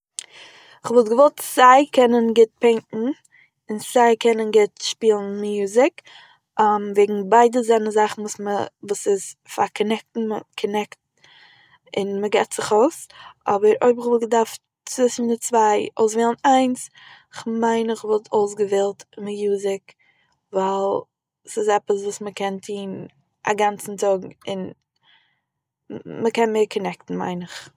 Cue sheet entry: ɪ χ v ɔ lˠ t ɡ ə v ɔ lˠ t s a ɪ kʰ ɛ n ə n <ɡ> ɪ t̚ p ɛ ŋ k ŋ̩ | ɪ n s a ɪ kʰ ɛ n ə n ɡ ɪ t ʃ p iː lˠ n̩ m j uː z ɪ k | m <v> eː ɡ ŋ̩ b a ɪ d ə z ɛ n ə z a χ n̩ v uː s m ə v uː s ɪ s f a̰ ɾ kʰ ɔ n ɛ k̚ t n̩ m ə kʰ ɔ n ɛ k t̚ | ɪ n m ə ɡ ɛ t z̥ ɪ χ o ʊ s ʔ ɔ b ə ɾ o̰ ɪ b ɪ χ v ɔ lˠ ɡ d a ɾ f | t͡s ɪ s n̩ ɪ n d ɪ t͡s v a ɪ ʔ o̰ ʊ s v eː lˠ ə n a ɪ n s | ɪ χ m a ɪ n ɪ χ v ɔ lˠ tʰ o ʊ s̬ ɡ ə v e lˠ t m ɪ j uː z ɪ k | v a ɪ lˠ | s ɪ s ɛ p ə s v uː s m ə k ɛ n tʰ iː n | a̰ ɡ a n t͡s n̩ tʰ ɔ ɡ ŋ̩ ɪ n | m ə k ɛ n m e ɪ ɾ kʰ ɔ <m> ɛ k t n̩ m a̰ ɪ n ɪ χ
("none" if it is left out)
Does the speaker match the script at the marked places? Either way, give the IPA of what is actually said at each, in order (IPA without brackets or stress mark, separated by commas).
ɡ, v, n